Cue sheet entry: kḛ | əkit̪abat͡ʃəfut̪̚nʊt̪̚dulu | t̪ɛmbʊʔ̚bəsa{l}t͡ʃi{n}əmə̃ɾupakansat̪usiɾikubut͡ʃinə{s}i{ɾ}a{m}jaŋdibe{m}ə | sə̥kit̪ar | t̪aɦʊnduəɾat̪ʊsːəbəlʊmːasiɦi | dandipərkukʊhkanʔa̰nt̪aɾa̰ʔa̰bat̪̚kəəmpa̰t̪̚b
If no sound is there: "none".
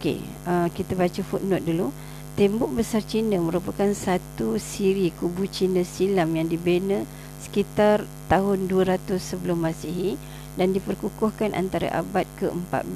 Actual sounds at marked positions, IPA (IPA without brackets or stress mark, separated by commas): r, n, s, l, m, n